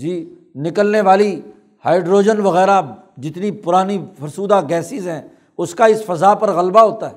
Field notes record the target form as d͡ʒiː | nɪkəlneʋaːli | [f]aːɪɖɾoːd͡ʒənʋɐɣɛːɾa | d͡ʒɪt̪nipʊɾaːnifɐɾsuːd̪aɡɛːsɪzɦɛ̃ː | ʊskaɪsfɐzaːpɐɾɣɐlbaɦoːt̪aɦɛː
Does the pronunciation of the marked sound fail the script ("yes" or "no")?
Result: yes